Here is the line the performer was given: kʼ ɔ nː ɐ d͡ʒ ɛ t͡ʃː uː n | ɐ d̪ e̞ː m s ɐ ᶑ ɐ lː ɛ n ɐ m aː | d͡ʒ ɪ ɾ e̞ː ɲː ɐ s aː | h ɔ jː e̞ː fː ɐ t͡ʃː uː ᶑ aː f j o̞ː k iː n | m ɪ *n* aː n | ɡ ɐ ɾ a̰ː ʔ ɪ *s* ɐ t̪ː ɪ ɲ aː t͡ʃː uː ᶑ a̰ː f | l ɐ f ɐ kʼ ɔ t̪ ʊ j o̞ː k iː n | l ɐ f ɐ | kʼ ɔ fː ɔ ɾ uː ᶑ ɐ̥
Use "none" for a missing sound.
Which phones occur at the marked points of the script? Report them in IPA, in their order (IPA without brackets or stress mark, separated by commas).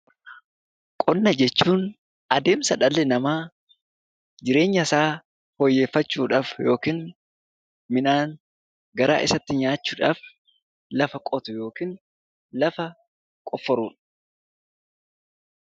n, s